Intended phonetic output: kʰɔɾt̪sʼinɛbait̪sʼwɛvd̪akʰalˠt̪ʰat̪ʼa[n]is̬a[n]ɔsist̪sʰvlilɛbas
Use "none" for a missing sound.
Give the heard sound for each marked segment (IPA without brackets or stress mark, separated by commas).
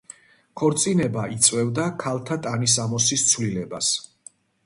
n, m